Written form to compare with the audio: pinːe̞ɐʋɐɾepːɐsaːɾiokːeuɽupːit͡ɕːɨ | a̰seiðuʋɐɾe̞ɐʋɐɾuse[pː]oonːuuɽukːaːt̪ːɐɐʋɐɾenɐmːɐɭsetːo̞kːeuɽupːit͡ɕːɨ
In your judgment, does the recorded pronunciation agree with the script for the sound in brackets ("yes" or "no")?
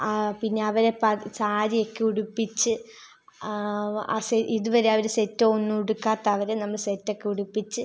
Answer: no